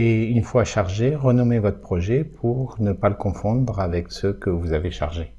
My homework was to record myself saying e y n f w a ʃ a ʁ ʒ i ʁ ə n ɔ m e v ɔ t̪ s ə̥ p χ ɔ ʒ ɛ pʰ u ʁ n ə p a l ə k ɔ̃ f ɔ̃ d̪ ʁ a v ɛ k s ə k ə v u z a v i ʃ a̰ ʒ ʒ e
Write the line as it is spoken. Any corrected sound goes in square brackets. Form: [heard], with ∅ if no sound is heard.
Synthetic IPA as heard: e y n f w a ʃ a ʁ ʒ [e] ʁ ə n ɔ m e v ɔ t̪ [χ] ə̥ p χ ɔ ʒ ɛ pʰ u ʁ n ə p a l ə k ɔ̃ f ɔ̃ d̪ ʁ a v ɛ k s ə k ə v u z a v [e] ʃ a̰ [ʁ] ʒ e